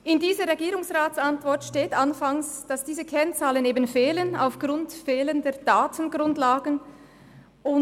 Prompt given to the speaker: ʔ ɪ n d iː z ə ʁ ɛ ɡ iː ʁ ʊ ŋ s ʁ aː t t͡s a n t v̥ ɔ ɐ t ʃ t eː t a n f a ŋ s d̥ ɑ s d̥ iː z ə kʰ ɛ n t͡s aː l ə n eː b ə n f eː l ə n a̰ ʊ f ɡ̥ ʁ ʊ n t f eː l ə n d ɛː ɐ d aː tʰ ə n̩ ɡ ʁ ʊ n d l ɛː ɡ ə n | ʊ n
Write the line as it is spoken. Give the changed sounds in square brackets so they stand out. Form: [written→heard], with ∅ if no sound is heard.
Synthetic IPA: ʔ ɪ n d iː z ə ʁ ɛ ɡ iː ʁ ʊ ŋ s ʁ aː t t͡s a n t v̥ ɔ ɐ t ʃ t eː t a n f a ŋ s d̥ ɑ s d̥ iː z ə kʰ ɛ n t͡s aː l ə n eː b ə n f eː l ə n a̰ ʊ f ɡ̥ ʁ ʊ n t f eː l ə n d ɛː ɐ d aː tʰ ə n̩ ɡ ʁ ʊ n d l [ɛː→aː] ɡ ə n | ʊ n